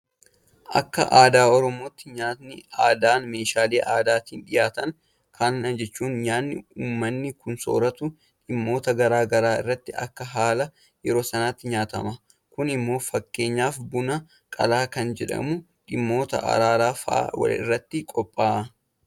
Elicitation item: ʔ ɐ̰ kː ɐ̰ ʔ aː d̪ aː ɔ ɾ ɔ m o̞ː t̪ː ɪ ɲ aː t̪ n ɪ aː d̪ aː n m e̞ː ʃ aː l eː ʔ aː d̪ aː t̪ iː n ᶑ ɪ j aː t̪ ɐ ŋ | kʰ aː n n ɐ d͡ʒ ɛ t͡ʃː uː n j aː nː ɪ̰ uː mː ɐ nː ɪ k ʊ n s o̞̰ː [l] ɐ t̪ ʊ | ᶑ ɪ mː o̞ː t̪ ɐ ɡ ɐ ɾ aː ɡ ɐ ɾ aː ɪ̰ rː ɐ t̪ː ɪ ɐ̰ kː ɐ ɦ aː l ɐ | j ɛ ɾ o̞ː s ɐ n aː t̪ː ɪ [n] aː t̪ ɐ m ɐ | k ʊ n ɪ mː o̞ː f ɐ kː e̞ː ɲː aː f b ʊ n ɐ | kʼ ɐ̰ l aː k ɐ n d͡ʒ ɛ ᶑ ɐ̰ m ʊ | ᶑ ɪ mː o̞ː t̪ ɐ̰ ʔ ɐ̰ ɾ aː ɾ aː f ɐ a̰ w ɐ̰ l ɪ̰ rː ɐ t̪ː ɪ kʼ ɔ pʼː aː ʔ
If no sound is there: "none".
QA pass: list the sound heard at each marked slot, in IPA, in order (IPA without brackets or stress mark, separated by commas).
ɾ, ɲ